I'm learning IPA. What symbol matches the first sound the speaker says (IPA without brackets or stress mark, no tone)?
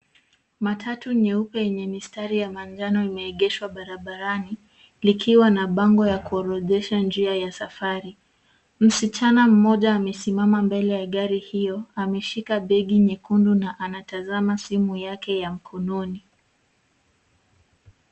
m